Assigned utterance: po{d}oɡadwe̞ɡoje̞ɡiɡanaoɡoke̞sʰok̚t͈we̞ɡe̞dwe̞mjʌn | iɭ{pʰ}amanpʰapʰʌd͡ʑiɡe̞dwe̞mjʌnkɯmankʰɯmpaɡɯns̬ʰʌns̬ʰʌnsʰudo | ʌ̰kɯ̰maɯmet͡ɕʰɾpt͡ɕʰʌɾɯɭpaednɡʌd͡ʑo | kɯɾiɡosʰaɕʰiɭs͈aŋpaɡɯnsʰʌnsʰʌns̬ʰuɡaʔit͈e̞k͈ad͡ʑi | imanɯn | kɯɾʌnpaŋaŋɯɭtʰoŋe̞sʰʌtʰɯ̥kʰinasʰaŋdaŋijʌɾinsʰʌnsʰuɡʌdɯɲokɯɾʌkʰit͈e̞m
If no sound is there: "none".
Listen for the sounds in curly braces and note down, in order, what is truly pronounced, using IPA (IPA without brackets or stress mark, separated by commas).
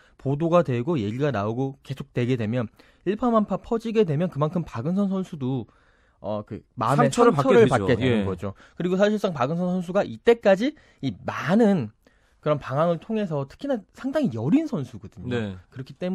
d, pʰ